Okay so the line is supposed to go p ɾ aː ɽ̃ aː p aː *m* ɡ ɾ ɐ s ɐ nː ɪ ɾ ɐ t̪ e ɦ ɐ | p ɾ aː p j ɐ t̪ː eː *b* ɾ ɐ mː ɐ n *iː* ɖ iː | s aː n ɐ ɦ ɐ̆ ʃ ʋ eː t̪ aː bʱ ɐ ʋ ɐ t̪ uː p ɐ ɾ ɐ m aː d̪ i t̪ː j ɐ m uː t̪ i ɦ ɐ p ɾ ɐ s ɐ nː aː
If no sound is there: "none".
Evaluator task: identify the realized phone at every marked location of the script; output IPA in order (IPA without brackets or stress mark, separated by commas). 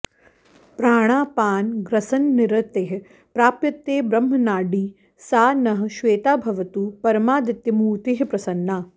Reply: n, b, aː